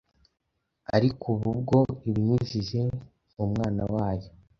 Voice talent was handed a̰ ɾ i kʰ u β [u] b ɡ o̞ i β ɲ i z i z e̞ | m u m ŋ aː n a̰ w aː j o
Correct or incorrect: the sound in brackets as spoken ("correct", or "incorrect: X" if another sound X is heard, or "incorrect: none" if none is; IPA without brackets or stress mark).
correct